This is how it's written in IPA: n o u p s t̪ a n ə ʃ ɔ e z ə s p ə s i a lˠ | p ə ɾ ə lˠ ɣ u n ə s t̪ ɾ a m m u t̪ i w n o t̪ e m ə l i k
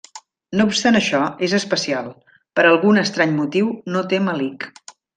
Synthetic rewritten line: n o u p s t̪ a n ə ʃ ɔ e z ə s p ə s i a lˠ | p ə ɾ ə lˠ ɣ u n ə s t̪ ɾ a ɲ m u t̪ i w n o t̪ e m ə l i k